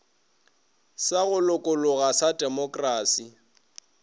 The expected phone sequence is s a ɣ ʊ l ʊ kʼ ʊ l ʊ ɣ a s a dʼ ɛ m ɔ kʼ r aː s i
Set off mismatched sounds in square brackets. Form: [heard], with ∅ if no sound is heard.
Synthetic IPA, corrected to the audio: s a ɣ ʊ l ʊ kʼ ʊ l ʊ ɣ a s a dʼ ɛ m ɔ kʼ r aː s i